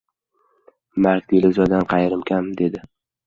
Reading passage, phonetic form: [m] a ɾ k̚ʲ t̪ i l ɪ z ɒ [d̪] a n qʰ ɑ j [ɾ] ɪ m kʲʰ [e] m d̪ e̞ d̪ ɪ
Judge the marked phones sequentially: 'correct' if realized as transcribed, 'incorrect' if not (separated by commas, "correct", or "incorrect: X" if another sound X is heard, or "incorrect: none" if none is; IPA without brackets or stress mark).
correct, correct, correct, incorrect: a